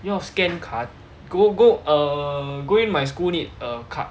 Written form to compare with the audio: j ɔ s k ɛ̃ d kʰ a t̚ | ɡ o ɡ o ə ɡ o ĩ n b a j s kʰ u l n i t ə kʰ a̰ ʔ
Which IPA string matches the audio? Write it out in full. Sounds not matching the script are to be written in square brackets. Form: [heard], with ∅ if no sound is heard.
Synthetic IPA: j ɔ s k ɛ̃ [n] kʰ a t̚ | ɡ o ɡ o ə ɡ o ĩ n [m] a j s [k] u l n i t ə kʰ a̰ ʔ

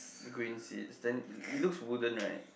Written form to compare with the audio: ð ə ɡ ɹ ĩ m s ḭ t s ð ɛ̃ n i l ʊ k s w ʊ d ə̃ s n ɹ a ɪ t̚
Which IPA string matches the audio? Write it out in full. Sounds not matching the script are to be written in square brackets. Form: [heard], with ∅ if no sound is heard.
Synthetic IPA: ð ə ɡ ɹ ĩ [n] s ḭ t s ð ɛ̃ n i l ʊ k s w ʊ d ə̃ [∅] n ɹ a ɪ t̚

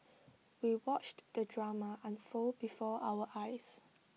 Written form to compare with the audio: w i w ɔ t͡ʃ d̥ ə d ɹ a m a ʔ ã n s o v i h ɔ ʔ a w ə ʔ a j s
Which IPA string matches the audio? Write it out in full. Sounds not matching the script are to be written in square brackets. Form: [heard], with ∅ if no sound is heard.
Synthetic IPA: w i w ɔ t͡ʃ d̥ ə d ɹ a m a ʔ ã n [f] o [b] i [f] ɔ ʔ a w ə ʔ a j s

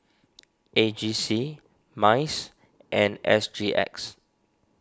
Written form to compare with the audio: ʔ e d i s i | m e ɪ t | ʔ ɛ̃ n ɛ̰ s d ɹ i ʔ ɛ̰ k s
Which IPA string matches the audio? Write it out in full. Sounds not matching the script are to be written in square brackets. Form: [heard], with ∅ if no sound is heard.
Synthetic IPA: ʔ e [d͡ʒ] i s i | m [a] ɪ [s] | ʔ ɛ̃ n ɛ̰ s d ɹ i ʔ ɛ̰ k s

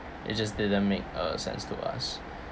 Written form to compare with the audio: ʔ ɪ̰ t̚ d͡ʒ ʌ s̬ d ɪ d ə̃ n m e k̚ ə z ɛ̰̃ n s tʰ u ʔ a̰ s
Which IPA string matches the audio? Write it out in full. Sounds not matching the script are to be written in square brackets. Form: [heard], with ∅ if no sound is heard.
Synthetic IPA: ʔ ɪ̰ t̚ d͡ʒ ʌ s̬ d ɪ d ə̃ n m e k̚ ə [s] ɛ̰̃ n s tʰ u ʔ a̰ s

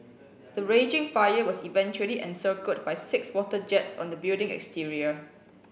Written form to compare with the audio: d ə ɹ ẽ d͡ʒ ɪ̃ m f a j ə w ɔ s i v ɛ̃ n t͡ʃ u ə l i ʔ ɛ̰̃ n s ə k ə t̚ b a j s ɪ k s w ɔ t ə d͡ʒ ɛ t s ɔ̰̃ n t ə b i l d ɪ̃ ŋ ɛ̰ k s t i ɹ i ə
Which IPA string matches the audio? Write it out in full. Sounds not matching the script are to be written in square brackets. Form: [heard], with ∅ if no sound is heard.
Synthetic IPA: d ə ɹ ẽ d͡ʒ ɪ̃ [ŋ] f a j ə w ɔ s i v ɛ̃ n t͡ʃ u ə l i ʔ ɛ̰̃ n s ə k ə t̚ b a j s ɪ k s w ɔ t ə d͡ʒ ɛ t s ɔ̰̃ n [d] ə b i l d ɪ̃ ŋ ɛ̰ k s t i ɹ i ə

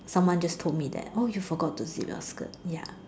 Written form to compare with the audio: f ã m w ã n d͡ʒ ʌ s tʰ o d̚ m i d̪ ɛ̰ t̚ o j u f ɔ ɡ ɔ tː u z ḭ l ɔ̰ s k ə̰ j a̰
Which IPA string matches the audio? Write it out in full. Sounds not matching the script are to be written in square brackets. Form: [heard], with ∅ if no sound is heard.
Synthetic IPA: [s] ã m w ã n d͡ʒ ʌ s tʰ o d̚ m i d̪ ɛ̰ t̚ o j u f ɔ ɡ ɔ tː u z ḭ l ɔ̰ s k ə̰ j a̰

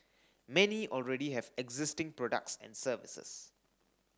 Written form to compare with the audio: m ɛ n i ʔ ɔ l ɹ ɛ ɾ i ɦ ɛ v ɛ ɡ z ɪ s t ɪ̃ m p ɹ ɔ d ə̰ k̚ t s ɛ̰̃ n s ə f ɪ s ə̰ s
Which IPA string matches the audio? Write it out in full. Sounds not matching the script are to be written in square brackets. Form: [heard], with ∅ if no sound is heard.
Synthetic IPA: m ɛ n i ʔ ɔ l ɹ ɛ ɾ i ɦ ɛ v ɛ ɡ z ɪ s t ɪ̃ [ŋ] p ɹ ɔ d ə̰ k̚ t s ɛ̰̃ n s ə [v] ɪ s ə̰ s

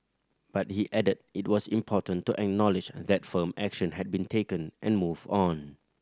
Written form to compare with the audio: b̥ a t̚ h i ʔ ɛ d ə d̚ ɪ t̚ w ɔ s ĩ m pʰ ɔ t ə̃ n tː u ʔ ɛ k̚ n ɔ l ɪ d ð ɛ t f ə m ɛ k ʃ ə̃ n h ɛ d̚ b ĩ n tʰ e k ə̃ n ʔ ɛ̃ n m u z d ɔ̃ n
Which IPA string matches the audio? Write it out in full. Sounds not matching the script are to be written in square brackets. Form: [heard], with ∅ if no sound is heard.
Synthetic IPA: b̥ a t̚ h i ʔ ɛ d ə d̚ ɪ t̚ w ɔ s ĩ m pʰ ɔ t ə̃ n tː u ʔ ɛ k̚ n ɔ l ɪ [d͡ʒ] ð ɛ t f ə m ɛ k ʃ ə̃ n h ɛ d̚ b ĩ n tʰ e k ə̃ n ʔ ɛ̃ n m u [v] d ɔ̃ n

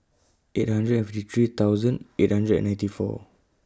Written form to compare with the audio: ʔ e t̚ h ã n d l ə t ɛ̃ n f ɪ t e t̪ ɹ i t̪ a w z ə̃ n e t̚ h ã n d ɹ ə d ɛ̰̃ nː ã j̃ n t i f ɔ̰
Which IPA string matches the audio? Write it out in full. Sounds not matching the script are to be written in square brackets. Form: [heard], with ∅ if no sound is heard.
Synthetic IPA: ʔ e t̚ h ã n d [ɹ] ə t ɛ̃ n f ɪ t [i] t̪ ɹ i t̪ a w z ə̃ n e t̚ h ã n d ɹ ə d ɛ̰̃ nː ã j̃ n t i f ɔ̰

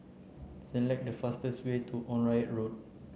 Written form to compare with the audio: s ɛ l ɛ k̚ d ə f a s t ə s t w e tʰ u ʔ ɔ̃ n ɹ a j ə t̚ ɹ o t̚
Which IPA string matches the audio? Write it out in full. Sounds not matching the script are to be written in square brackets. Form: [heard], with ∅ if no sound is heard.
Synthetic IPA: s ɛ l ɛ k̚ d ə f a s t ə s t w e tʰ u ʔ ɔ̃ n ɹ a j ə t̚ ɹ o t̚

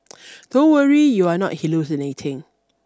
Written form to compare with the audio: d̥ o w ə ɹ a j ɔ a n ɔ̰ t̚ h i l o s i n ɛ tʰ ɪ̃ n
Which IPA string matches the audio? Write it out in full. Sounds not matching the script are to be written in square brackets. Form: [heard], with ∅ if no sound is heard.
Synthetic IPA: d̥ o w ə ɹ [i] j [u] a n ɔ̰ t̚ h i l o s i n [e] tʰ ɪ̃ [ŋ]

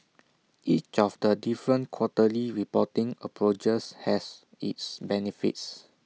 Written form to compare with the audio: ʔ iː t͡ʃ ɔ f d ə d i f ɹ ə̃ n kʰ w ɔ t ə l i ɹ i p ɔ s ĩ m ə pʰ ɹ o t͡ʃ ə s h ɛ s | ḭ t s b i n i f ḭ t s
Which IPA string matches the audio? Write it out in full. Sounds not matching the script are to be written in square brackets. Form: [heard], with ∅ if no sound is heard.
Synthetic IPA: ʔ [i] t͡ʃ ɔ f d ə d i f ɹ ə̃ n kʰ w ɔ t ə l i ɹ i p ɔ [t] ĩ [ŋ] ə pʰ ɹ o t͡ʃ ə s h ɛ s | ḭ t s b [ɛ] n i f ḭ t s

